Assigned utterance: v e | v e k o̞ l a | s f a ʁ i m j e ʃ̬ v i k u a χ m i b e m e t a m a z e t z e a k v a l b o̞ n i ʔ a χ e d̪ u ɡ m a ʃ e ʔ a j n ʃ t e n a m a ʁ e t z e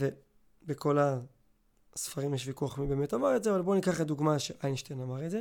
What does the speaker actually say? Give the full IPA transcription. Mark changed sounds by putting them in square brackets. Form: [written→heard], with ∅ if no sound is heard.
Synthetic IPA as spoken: v e | [v→b] e k o̞ l a | s f a ʁ i m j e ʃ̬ v i k u a χ m i b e m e t a m a [z→ʁ] e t z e a [k→∅] v a l b o̞ n i [ʔ→k] a χ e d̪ u ɡ m a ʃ e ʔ a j n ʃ t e n a m a ʁ e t z e